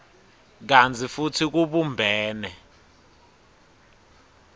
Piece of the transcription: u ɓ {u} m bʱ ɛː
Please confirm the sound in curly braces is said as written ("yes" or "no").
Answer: yes